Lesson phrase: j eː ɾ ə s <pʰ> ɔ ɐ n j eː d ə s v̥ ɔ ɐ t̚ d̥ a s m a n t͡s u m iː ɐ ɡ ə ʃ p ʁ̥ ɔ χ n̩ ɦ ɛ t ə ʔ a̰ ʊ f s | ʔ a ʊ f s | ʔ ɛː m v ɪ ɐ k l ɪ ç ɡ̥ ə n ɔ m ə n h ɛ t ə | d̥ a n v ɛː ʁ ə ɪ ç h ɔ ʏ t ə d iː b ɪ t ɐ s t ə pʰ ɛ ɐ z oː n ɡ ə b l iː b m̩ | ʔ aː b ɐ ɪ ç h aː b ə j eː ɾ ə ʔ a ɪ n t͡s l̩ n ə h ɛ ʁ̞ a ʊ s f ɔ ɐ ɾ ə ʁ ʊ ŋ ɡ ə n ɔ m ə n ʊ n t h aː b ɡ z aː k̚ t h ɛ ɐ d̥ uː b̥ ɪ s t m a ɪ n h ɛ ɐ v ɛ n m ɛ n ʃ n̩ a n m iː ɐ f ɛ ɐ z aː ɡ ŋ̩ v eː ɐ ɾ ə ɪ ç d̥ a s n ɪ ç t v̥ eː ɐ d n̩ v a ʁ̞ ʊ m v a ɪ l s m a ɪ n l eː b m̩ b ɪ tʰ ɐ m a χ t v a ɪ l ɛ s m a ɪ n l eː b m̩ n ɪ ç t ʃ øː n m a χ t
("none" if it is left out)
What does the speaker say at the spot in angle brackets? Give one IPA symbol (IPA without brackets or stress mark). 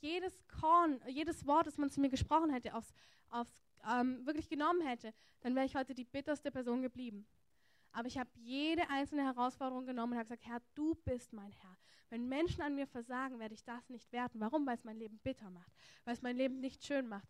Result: kʰ